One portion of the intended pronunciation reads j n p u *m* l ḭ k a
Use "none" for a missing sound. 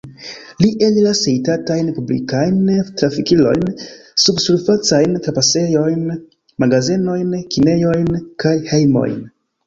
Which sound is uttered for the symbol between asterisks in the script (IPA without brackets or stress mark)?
b